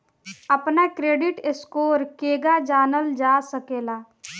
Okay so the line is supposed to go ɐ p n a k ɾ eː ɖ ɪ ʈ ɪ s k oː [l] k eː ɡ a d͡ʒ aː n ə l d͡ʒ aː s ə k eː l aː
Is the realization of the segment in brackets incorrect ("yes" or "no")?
yes